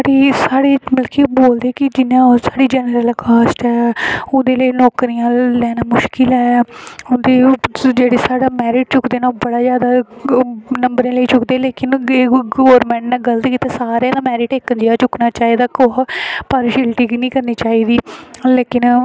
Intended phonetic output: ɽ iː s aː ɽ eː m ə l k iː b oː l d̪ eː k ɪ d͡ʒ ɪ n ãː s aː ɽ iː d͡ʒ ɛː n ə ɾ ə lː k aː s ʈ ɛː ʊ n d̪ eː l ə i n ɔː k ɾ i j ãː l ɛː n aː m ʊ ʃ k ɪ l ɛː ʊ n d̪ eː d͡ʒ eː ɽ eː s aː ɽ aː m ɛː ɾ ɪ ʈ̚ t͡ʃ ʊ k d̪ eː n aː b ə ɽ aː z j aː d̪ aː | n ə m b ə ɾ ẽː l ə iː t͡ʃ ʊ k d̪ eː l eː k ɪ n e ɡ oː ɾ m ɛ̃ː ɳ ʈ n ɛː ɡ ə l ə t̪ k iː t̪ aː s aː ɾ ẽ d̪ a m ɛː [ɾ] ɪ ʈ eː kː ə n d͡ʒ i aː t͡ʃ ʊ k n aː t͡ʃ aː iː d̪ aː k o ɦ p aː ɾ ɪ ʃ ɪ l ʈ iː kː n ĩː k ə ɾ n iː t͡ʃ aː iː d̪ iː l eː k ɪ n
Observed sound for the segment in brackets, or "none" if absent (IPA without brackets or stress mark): ɾ